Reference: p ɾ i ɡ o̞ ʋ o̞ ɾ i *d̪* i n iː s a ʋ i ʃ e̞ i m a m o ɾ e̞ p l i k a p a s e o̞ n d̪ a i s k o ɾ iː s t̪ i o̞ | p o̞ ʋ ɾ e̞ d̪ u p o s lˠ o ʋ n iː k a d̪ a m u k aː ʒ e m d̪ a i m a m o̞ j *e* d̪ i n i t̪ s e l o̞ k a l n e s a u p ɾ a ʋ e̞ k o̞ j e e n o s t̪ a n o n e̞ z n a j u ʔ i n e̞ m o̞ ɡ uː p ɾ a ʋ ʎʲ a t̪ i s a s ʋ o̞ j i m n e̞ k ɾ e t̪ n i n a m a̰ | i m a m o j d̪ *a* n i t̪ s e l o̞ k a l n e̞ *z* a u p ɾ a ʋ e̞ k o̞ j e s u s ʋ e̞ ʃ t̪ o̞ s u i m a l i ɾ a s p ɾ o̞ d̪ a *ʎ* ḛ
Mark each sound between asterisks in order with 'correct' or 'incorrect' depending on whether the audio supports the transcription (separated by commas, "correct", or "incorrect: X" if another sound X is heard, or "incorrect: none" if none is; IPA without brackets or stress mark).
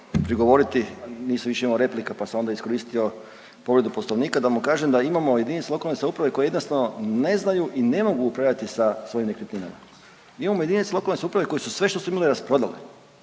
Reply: incorrect: t̪, correct, incorrect: i, incorrect: s, incorrect: l